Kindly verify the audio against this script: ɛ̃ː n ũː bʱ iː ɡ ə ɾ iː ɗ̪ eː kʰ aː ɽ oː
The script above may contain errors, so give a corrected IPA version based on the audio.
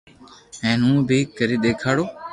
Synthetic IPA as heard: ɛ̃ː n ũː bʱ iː k ə ɾ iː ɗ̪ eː kʰ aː ɽ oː